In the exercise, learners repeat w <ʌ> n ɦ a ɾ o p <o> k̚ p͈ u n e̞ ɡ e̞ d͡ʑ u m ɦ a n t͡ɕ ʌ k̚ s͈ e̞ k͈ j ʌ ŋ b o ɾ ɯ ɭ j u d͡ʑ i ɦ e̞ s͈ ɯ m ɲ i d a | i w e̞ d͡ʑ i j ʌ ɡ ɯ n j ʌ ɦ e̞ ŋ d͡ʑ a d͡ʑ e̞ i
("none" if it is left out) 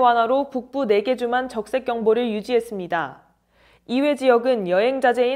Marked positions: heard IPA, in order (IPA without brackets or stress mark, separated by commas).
a, u